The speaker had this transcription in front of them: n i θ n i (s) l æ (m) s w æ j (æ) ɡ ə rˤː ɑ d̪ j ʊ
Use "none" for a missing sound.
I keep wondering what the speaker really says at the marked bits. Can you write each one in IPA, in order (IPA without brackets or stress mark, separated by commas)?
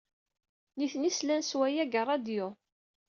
s, n, æ